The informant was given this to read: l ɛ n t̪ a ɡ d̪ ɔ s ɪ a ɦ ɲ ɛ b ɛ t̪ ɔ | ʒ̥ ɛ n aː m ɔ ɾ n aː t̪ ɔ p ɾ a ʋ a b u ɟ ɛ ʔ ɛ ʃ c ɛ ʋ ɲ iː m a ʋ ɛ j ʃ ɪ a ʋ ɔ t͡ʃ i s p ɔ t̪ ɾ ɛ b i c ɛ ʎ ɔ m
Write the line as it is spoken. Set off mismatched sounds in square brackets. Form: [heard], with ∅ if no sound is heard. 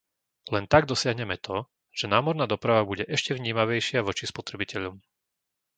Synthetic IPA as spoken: l ɛ n t̪ a ɡ d̪ ɔ s ɪ a ɦ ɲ ɛ [m] ɛ t̪ ɔ | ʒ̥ ɛ n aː m ɔ ɾ n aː [d̪] ɔ p ɾ a ʋ a b u ɟ ɛ ʔ ɛ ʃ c ɛ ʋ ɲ iː m a ʋ ɛ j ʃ ɪ a ʋ ɔ t͡ʃ i s p ɔ t̪ ɾ ɛ b i c ɛ ʎ ɔ m